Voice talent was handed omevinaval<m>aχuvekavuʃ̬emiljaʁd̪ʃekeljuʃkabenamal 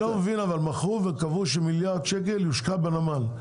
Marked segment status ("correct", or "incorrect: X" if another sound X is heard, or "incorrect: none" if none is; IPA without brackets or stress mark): correct